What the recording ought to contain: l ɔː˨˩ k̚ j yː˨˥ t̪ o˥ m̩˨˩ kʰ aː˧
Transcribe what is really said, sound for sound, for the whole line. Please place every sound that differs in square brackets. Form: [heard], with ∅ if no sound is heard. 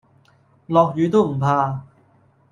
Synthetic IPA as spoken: l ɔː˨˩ k̚ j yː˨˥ t̪ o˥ m̩˨˩ [pʰ] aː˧